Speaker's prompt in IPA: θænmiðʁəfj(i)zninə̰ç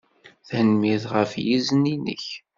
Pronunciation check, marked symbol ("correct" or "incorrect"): correct